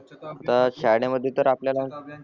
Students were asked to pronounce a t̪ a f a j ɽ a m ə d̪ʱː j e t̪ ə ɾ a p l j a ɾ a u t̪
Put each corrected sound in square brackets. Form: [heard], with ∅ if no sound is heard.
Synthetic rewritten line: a t̪ a [ɕ] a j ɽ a m ə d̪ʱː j e t̪ ə ɾ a p l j a [l] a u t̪